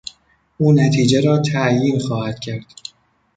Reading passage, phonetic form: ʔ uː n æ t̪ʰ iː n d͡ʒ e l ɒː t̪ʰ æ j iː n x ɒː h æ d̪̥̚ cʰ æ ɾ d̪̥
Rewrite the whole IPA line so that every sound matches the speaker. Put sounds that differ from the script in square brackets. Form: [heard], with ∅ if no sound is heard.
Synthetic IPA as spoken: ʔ uː n æ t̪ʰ iː [∅] d͡ʒ e [ɾ] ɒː t̪ʰ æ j iː n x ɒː h æ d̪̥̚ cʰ æ ɾ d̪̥